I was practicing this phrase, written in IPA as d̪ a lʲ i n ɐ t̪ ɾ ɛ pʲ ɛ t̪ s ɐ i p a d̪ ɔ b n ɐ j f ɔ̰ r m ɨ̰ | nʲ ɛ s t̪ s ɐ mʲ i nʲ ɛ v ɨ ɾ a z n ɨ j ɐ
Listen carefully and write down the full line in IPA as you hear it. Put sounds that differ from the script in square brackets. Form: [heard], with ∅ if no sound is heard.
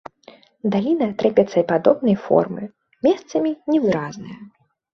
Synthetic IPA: d̪ a lʲ i n ɐ t̪ ɾ ɛ pʲ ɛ t̪ s ɐ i p a d̪ ɔ b n ɐ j f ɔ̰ r m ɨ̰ | [mʲ] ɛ s t̪ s ɐ mʲ i nʲ ɛ v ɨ ɾ a z n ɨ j ɐ